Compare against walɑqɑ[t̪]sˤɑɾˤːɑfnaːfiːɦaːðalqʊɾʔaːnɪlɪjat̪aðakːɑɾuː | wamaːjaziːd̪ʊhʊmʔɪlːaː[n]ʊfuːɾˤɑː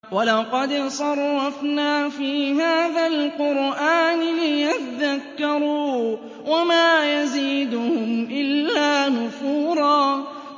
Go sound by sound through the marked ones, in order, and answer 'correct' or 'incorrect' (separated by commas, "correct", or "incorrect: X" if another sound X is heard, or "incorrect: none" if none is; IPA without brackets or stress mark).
incorrect: d̪, correct